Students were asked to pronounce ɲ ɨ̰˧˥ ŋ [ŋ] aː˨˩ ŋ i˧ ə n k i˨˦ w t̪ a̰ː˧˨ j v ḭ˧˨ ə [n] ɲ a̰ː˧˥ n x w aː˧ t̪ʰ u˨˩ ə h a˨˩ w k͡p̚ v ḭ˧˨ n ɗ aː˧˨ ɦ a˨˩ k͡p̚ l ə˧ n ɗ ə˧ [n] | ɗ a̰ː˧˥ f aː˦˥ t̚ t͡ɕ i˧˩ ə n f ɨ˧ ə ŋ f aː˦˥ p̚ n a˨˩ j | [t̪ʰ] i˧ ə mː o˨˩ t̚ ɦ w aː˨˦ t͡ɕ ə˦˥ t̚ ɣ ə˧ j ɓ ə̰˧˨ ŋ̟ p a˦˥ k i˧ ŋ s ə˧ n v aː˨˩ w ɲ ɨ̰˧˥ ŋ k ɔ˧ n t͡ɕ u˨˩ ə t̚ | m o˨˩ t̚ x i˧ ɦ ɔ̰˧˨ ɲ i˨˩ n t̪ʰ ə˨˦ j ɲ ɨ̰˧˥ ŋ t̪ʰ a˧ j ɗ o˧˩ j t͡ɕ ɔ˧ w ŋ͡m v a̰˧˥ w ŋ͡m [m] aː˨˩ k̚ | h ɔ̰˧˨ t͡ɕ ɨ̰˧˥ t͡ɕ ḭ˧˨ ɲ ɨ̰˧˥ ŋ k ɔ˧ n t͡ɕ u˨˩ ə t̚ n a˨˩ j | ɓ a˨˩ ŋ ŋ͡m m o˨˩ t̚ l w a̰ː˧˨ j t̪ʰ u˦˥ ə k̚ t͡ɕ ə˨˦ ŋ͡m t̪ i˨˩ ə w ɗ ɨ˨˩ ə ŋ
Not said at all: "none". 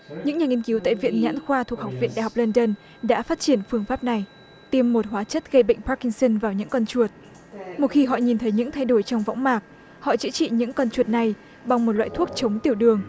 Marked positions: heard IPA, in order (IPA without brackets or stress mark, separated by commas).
ɲ, n, n, t̪, m